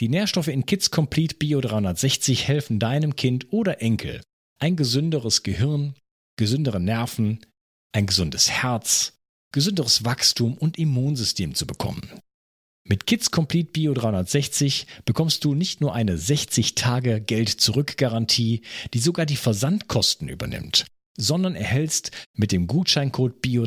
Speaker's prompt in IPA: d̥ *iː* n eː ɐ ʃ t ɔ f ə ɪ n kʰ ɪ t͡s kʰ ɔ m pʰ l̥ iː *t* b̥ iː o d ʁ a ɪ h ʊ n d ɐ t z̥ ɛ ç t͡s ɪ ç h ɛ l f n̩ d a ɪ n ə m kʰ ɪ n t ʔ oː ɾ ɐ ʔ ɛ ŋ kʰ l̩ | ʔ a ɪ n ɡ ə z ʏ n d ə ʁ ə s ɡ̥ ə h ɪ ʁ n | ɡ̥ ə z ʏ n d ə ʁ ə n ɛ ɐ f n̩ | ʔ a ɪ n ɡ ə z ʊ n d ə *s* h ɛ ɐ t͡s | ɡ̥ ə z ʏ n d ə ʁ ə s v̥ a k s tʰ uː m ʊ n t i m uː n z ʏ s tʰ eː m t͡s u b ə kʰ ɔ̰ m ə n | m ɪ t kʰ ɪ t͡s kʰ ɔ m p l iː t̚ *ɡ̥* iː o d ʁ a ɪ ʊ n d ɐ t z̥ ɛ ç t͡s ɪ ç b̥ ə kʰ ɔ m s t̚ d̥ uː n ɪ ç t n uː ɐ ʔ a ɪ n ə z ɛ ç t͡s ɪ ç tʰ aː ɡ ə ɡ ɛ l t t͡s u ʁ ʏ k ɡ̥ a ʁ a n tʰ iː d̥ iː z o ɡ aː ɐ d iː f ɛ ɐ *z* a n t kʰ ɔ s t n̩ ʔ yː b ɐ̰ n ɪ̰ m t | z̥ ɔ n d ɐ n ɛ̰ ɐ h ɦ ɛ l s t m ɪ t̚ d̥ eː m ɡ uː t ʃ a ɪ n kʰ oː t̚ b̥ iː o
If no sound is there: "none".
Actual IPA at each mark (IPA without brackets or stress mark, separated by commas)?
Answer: iː, t, s, b̥, z